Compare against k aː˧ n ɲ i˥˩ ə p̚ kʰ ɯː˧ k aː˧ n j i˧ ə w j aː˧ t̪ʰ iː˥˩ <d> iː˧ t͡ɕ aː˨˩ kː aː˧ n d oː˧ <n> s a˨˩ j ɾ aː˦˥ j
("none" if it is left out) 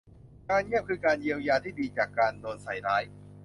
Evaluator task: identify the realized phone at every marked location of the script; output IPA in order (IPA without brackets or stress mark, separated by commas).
d, n